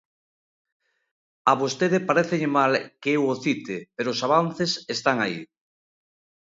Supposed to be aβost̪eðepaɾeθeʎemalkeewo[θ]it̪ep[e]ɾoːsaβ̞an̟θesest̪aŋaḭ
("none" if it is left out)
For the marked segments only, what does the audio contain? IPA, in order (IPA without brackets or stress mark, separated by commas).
θ, e